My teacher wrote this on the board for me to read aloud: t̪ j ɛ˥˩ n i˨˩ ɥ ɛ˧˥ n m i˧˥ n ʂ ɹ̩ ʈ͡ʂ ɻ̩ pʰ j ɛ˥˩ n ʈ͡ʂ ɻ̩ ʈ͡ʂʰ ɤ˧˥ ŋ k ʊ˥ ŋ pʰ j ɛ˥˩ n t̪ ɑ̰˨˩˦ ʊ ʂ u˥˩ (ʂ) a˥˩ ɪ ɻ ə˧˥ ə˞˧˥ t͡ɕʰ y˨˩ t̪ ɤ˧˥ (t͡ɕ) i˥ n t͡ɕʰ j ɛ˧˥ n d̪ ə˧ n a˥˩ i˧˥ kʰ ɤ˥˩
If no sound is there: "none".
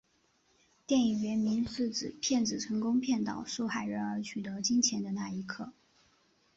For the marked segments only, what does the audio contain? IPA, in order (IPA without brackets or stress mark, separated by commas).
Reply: x, t͡ɕ